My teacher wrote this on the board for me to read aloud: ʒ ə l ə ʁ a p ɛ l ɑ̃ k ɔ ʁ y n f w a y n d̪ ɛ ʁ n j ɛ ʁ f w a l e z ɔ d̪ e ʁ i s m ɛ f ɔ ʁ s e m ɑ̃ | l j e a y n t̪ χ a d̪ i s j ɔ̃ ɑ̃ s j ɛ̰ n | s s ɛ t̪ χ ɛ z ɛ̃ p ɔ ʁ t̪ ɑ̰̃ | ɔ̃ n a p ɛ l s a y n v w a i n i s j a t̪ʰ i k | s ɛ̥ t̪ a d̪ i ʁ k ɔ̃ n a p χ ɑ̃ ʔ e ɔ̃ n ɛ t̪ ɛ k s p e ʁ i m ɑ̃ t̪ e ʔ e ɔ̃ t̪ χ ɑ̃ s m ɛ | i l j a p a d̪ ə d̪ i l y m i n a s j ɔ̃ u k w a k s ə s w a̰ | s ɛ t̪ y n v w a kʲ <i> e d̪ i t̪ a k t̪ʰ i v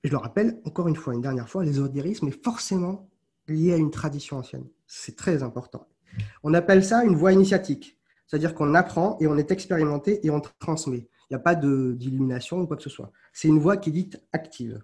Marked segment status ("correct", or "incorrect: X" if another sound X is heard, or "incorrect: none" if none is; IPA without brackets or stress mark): correct